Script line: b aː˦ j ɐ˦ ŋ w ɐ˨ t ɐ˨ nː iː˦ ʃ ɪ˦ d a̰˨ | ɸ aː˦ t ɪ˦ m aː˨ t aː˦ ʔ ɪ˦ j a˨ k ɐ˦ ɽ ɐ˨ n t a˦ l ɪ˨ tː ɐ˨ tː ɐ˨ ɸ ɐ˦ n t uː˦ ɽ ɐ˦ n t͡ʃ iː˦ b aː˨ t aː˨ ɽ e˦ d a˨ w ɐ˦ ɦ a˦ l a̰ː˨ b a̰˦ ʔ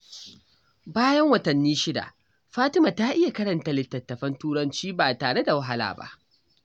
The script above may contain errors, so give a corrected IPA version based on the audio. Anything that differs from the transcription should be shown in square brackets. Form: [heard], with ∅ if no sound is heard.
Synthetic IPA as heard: b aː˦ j ɐ˦ ŋ w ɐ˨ t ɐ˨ nː iː˦ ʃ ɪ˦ d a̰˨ | ɸ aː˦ t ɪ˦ m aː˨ t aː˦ ʔ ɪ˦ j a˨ k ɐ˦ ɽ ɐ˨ n t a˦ l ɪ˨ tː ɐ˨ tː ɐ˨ ɸ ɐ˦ n t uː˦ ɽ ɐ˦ n t͡ʃ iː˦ b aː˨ t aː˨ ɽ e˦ d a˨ w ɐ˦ ɦ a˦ l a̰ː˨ b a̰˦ ʔ

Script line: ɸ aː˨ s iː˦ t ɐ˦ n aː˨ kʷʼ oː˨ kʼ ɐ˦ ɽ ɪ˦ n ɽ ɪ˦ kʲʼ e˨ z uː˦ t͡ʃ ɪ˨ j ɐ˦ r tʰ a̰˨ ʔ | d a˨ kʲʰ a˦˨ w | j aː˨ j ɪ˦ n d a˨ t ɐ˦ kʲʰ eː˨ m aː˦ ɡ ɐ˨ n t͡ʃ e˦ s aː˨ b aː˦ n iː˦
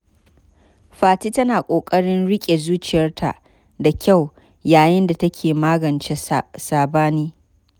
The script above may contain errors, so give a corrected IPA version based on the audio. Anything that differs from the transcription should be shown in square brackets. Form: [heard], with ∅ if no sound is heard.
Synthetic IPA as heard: ɸ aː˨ [t] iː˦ t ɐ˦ n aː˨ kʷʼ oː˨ kʼ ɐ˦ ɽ ɪ˦ n ɽ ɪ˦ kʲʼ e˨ z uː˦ t͡ʃ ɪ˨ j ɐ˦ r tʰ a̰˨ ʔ | d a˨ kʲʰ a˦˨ w | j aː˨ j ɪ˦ n d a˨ t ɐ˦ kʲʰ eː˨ m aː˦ ɡ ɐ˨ n t͡ʃ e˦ s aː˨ b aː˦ n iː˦

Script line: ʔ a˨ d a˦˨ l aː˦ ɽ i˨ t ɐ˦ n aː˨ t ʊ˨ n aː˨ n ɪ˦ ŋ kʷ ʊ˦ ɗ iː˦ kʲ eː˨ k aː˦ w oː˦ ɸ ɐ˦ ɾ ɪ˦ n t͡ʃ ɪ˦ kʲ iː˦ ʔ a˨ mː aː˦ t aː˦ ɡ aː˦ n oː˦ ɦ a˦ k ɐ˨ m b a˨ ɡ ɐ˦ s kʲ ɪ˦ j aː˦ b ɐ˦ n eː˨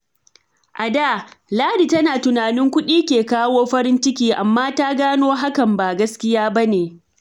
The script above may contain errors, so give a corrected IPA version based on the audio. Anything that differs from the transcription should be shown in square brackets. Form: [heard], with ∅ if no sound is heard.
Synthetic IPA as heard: ʔ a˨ d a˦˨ l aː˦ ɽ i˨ t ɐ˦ n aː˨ t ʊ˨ n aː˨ n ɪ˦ ŋ kʷ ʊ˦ ɗ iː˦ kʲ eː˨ k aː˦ w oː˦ ɸ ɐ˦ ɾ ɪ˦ n t͡ʃ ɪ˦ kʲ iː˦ ʔ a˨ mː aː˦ t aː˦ ɡ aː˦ n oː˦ ɦ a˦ k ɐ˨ m b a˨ ɡ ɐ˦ s kʲ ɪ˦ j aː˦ b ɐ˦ n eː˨

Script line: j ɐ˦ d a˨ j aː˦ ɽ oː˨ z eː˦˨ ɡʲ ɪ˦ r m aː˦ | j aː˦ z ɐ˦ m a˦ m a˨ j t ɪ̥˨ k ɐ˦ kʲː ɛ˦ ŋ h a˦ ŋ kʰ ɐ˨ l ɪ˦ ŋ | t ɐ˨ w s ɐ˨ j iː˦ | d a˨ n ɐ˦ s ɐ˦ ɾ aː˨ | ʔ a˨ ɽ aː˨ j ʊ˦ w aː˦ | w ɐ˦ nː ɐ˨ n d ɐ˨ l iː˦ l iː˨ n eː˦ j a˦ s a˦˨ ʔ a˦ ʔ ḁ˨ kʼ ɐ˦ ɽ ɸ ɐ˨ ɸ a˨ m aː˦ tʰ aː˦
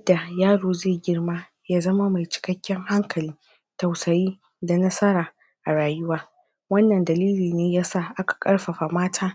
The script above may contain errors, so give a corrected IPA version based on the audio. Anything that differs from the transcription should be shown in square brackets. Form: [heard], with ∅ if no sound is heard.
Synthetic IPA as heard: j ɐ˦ d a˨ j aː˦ ɽ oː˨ z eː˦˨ ɡʲ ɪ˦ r m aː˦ | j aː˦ z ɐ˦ m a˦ m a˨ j [t͡ʃ] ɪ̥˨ k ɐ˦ kʲː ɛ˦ ŋ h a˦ ŋ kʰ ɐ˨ l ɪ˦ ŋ | t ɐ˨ w s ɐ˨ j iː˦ | d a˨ n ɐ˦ s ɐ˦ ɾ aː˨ | ʔ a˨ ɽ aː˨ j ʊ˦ w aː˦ | w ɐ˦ nː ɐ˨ n d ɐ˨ l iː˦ l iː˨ n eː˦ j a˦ s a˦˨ ʔ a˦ [k] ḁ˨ kʼ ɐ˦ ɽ ɸ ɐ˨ ɸ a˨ m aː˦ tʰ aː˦

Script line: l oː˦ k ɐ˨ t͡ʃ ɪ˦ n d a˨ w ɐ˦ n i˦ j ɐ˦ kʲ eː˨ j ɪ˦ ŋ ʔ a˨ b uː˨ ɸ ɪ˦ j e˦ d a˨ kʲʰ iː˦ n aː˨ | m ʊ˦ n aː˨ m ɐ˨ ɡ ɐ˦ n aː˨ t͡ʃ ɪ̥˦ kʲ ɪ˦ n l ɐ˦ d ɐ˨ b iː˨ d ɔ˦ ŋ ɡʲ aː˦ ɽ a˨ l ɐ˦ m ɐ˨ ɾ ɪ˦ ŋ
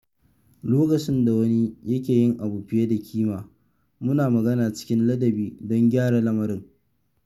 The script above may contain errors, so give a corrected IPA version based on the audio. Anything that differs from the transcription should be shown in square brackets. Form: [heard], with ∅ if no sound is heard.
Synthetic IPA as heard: l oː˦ k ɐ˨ t͡ʃ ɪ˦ n d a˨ w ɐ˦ n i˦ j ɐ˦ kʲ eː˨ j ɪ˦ ŋ ʔ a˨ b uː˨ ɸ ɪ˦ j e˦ d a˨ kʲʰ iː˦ [m] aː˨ | m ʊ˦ n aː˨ m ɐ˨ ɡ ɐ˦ n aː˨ t͡ʃ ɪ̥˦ kʲ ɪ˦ n l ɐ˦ d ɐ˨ b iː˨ d ɔ˦ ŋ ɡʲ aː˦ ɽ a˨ l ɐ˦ m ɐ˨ ɾ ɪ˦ ŋ

